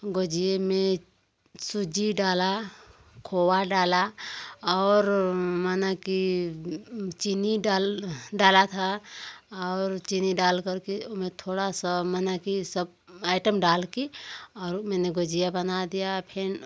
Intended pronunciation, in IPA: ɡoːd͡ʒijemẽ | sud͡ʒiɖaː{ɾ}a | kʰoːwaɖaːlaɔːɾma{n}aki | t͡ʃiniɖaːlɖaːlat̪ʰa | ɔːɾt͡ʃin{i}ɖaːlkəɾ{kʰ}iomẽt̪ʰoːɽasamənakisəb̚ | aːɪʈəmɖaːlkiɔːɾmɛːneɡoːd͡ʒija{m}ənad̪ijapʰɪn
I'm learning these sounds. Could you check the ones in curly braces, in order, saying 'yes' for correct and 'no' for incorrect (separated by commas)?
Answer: no, yes, yes, no, no